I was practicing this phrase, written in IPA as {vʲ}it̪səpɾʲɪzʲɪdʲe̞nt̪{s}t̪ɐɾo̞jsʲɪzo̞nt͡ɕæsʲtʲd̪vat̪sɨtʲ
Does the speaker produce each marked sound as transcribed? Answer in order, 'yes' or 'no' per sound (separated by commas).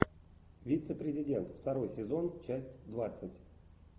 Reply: yes, no